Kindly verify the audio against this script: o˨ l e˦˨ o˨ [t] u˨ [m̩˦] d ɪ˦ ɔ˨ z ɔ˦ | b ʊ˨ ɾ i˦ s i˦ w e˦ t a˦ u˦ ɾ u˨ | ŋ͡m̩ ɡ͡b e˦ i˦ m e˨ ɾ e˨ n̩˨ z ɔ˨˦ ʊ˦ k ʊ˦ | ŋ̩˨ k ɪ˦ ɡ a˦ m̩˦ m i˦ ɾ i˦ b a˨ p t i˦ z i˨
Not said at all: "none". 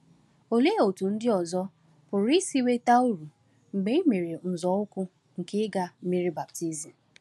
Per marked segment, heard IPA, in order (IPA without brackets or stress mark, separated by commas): t, n̩˦